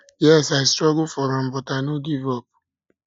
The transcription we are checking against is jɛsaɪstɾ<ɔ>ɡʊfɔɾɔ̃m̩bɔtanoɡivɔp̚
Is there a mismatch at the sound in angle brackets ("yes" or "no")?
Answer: no